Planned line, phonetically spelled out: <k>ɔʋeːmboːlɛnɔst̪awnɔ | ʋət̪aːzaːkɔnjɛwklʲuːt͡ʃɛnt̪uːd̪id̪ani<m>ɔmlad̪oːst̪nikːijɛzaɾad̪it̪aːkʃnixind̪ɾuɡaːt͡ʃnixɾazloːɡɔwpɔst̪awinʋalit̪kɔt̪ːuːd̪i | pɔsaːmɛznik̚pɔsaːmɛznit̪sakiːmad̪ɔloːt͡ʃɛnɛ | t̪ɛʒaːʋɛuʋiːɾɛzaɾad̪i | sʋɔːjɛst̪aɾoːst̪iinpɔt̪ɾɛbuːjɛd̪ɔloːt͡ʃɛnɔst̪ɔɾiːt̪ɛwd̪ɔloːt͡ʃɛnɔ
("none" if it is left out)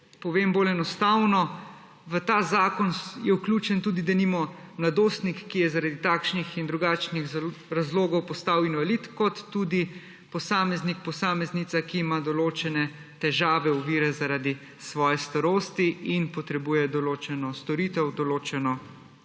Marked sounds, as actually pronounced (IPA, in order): p, m

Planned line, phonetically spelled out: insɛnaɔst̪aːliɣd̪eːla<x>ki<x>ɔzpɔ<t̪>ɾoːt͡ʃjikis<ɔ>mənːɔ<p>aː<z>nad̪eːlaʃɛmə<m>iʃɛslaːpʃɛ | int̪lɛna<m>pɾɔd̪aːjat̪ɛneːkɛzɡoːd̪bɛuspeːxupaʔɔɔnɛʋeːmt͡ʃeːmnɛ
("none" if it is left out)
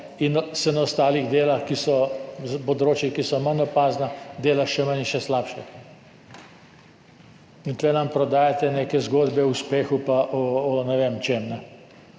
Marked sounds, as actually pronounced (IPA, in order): x, s, d̪, ɔ, p, z, n, m

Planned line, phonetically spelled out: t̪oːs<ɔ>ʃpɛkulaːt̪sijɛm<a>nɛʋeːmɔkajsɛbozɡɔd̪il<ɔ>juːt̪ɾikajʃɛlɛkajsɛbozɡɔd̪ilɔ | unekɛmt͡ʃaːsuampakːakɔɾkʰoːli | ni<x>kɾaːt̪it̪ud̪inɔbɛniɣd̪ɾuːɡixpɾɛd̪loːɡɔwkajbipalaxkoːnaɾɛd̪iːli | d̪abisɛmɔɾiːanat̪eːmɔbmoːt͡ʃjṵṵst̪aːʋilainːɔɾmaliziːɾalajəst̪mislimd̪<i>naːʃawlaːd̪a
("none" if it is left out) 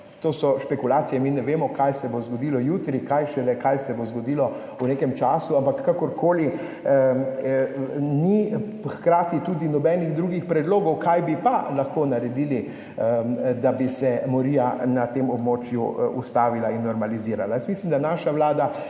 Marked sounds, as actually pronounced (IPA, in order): ɔ, i, ɔ, x, a

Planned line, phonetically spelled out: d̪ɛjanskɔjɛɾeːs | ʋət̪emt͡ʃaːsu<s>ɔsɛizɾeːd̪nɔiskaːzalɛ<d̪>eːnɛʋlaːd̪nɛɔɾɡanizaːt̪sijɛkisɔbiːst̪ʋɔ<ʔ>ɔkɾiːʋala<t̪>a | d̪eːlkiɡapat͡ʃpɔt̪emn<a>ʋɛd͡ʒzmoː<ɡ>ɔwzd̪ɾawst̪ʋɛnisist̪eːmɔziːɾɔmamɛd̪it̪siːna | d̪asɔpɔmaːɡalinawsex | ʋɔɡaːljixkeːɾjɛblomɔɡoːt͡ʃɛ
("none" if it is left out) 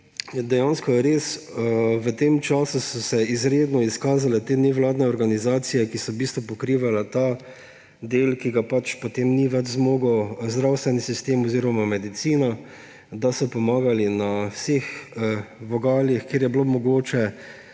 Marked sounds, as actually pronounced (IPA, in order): s, t̪, p, t̪, i, ɡ

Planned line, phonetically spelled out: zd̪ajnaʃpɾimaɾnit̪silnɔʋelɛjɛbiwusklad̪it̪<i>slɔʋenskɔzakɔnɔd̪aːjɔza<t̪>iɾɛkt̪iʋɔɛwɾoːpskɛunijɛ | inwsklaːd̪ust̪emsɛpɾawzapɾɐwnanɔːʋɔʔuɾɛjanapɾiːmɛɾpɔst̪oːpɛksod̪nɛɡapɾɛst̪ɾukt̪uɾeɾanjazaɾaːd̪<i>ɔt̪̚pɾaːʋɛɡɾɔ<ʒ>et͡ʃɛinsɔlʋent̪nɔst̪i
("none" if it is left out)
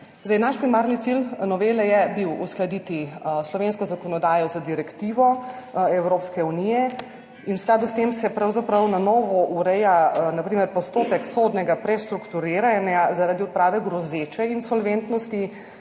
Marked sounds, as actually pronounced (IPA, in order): i, d̪, i, z

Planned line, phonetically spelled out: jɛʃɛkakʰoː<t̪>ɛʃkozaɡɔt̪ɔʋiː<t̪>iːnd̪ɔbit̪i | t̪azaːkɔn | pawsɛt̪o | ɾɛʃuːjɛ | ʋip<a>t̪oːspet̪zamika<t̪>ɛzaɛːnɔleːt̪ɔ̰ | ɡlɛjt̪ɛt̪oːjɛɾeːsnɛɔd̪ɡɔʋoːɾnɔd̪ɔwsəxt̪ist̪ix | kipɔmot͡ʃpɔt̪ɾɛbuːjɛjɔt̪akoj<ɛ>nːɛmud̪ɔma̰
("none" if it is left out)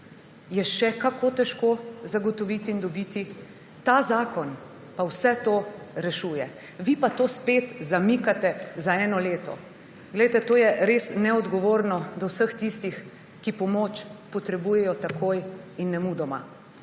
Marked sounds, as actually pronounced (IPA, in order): t̪, t̪, a, t̪, i

